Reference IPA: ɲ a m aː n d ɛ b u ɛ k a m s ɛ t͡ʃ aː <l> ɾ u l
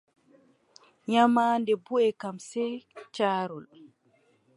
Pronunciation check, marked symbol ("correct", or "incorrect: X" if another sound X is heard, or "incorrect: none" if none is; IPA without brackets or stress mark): incorrect: none